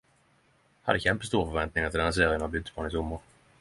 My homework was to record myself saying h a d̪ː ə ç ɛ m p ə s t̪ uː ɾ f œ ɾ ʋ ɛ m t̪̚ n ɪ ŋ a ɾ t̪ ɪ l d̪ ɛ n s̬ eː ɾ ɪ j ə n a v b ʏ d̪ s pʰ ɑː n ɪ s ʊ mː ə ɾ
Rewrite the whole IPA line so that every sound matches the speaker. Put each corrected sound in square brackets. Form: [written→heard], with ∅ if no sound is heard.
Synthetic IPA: h a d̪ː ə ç ɛ m p ə s t̪ uː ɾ f œ ɾ [ʋ→v] ɛ [m→n] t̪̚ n ɪ ŋ a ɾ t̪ ɪ l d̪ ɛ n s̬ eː ɾ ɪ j ə n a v b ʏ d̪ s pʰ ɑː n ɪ s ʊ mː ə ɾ